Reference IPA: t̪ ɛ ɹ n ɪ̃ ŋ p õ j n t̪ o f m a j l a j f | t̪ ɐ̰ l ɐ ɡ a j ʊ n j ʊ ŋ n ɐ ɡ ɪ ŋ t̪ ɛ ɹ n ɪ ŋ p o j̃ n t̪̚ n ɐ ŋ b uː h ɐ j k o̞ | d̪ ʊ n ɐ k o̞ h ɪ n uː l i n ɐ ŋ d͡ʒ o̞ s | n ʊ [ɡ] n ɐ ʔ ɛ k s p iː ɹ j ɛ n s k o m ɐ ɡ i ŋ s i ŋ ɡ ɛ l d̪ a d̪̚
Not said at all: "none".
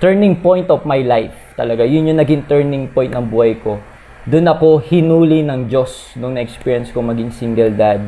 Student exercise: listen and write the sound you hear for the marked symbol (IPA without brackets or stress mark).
ŋ